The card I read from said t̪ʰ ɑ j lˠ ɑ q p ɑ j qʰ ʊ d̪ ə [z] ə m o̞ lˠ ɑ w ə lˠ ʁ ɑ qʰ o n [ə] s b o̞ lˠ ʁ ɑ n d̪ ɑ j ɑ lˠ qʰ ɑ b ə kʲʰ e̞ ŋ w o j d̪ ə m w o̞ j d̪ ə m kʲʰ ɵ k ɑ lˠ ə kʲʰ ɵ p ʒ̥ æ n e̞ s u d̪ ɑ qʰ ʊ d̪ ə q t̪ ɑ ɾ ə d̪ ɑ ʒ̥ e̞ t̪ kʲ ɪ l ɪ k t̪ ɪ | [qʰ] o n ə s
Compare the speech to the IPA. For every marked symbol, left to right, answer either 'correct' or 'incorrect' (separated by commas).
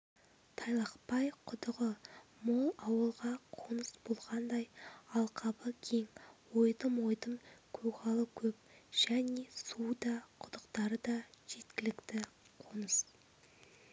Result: incorrect, correct, correct